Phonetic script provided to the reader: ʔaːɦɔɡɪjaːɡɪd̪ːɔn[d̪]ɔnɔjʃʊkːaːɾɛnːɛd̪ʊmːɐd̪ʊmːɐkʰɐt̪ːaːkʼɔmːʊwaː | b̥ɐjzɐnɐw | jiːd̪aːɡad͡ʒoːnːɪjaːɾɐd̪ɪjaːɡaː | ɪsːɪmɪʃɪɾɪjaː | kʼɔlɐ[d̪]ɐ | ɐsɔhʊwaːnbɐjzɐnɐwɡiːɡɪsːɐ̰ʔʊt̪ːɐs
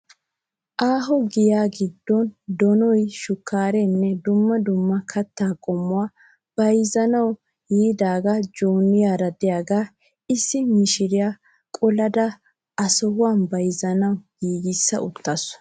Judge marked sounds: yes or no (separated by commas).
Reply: yes, yes